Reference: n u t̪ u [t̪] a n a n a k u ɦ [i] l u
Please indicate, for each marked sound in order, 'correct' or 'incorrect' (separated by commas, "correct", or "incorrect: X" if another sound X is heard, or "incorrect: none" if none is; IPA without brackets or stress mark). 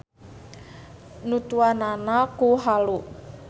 incorrect: none, incorrect: a